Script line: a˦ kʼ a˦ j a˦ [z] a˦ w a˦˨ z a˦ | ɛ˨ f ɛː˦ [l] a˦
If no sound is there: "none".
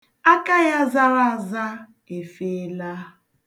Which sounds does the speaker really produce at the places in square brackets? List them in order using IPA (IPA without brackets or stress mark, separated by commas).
z, l